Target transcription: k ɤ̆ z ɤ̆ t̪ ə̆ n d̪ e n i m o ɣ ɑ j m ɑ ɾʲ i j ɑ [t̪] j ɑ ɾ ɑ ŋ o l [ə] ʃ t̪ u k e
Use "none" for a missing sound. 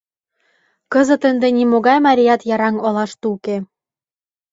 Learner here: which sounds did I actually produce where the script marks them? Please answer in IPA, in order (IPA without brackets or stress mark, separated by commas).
t̪, ɑ